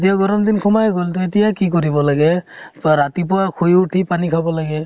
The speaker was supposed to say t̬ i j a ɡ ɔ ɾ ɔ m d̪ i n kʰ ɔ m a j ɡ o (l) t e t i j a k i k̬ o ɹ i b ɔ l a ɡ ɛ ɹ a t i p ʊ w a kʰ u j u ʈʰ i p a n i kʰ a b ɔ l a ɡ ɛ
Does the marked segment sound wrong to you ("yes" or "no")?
no